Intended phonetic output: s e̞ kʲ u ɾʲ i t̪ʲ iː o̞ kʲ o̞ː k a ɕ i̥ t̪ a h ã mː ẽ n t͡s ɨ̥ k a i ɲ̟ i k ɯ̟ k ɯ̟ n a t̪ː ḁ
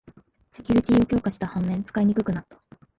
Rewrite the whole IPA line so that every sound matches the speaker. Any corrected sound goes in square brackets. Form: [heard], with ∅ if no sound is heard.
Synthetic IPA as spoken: s e̞ kʲ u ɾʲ i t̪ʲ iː o̞ kʲ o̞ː k a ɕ i̥ t̪ a h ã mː ẽ n t͡s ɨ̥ k a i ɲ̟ i k ɯ̟ k ɯ̟ n a t̪ː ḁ